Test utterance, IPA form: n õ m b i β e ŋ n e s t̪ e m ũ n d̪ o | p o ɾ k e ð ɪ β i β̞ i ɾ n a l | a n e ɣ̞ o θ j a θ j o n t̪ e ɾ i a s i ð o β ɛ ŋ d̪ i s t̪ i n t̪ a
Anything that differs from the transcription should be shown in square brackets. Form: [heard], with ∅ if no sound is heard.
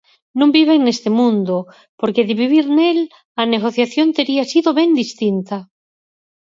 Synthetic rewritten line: n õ m b i β e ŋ n e s t̪ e m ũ n d̪ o | p o ɾ k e ð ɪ β i β̞ i ɾ n [e] l | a n e ɣ̞ o θ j a θ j o n t̪ e ɾ i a s i ð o β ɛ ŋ d̪ i s t̪ i n t̪ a